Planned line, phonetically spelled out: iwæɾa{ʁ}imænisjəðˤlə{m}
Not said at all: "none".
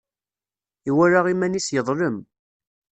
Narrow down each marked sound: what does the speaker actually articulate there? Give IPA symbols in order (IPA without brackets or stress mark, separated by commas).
ʁ, m